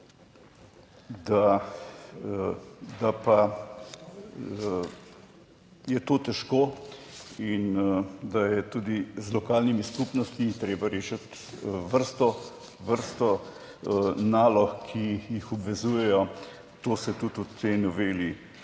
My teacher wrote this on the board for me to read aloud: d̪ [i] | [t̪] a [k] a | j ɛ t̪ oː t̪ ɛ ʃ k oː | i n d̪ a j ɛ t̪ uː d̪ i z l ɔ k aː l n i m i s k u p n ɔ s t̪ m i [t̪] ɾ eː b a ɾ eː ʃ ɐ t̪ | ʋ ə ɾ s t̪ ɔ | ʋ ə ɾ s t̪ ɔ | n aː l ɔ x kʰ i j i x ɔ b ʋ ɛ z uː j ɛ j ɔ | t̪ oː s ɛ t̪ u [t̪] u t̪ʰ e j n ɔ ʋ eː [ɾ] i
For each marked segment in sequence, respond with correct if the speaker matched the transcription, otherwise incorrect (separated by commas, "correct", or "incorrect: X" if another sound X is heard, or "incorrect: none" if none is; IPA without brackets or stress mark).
incorrect: a, incorrect: d̪, incorrect: p, correct, correct, incorrect: l